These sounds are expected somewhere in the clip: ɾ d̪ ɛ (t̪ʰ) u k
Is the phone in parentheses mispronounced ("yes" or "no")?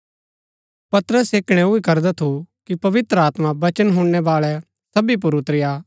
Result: no